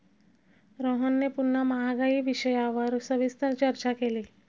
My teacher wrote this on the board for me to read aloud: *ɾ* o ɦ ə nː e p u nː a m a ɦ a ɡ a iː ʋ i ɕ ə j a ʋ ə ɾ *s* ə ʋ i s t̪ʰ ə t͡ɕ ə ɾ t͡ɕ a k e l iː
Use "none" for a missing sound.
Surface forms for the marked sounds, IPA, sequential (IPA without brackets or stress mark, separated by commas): ɾ, s